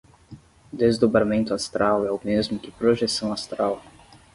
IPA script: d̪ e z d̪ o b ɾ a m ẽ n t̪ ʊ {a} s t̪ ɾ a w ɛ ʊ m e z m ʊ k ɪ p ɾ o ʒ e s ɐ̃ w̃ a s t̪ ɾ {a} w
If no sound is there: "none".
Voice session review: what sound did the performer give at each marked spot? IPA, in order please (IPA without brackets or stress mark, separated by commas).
a, a